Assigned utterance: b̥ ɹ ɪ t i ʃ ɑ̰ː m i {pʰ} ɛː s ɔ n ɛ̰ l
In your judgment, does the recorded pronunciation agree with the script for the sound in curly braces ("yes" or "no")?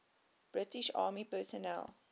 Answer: no